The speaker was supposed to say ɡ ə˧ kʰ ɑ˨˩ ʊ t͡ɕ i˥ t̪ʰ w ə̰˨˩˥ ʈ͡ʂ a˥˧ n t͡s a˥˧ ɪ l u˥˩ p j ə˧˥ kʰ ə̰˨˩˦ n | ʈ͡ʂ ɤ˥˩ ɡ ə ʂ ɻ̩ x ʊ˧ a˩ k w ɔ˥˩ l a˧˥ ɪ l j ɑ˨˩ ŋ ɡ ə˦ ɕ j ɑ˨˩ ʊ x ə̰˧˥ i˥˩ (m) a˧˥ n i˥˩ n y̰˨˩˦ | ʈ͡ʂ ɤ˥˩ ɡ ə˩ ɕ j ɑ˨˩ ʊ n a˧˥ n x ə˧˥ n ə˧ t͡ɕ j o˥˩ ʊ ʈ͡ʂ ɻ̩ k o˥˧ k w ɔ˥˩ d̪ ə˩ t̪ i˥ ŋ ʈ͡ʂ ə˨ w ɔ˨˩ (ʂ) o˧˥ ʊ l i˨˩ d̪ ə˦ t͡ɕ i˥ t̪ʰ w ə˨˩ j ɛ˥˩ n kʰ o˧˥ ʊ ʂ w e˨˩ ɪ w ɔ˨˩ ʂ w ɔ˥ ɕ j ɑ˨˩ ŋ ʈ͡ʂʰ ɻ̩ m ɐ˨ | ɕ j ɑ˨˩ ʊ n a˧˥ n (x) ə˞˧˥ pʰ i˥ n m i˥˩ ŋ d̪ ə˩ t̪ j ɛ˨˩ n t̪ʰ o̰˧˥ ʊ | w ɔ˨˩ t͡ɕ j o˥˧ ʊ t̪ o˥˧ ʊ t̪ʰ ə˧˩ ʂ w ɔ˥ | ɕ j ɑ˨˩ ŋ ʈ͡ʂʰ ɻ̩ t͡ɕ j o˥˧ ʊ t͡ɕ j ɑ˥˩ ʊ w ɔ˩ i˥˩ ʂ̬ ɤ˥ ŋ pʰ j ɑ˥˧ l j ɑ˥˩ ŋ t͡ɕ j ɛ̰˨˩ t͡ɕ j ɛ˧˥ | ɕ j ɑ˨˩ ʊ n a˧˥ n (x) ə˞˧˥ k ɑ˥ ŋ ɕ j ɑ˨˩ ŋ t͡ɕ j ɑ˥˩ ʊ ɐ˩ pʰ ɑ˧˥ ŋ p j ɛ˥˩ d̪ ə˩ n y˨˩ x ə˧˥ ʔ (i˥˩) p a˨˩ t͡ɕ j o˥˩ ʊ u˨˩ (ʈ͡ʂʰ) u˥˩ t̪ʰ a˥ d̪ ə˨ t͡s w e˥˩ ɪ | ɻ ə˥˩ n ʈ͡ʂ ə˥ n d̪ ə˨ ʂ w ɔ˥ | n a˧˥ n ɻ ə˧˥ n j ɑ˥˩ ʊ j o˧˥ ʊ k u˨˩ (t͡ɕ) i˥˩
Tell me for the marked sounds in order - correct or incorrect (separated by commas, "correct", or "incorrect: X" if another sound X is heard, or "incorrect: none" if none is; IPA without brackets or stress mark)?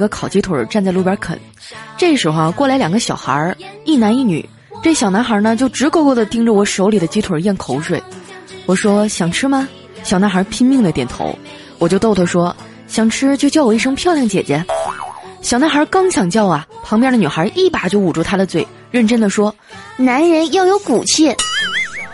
incorrect: n, correct, correct, correct, correct, incorrect: ʈ͡ʂ, incorrect: t͡ɕʰ